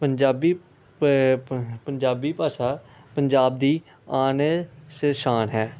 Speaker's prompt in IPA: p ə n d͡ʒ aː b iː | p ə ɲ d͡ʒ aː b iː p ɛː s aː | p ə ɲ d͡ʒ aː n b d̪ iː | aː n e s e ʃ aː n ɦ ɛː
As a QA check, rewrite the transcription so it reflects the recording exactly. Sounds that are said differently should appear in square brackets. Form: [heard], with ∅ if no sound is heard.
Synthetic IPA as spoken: p ə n d͡ʒ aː b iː | p ə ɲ d͡ʒ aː b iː p [aː] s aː | p ə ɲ d͡ʒ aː [∅] b d̪ iː | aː n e s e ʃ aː n ɦ ɛː